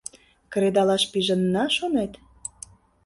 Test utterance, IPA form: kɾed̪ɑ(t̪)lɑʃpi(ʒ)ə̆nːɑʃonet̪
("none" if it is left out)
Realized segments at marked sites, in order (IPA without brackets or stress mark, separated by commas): none, ʒ